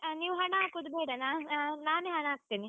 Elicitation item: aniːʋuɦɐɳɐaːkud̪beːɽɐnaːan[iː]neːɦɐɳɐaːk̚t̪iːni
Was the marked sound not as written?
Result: yes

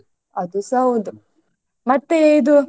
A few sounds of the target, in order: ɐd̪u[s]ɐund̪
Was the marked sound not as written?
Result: no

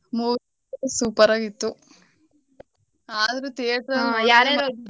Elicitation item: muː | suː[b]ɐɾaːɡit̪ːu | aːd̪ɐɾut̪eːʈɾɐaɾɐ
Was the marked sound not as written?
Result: yes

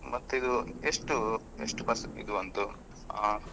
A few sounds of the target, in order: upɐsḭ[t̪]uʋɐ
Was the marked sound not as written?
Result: yes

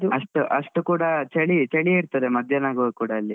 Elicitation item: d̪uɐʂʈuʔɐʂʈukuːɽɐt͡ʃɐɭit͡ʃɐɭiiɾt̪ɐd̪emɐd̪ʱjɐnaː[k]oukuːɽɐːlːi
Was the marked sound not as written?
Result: yes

